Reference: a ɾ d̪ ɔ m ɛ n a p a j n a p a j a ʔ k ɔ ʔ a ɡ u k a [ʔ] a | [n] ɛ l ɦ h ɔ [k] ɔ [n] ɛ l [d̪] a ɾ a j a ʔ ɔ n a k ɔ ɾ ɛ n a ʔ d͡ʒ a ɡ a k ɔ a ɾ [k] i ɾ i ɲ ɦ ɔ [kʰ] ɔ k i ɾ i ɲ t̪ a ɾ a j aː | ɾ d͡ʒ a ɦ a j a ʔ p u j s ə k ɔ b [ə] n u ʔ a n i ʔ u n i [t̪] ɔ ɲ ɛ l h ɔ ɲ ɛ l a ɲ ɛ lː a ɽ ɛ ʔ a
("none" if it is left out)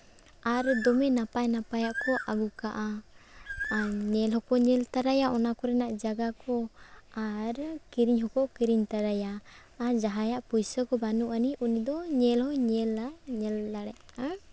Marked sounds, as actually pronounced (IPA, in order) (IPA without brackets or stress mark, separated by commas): ʔ, ɲ, k, ɲ, t̪, k, k, a, d̪